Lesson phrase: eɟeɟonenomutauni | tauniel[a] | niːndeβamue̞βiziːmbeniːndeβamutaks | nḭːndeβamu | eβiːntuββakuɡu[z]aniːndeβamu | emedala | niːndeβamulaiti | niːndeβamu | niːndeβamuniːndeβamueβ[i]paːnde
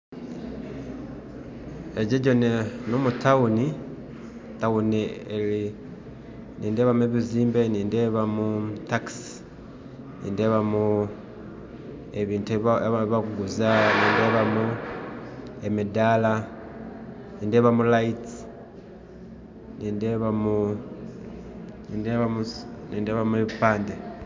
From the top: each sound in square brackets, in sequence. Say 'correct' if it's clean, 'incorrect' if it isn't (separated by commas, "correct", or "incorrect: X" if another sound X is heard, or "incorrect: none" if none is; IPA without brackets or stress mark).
incorrect: i, correct, correct